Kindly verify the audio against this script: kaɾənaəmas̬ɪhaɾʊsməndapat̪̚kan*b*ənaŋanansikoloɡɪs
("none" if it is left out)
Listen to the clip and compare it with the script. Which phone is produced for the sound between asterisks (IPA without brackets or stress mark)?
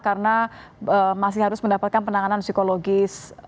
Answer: p